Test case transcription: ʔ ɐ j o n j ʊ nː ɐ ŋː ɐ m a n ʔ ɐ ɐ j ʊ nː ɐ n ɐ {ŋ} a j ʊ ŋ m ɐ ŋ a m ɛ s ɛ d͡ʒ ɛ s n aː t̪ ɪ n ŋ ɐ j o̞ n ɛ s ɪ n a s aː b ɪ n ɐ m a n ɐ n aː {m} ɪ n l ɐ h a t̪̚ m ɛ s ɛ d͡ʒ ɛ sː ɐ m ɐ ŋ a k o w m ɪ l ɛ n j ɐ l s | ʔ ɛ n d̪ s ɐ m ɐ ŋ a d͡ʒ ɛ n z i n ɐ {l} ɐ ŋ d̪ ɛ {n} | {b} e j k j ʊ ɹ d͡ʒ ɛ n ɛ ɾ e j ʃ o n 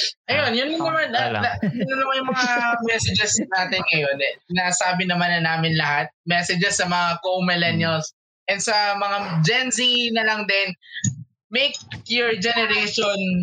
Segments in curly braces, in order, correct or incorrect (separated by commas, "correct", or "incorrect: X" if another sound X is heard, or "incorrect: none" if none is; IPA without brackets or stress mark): incorrect: m, correct, correct, correct, incorrect: m